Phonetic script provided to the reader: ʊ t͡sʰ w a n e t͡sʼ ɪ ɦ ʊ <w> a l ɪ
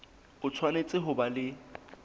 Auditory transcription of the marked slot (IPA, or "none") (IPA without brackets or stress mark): b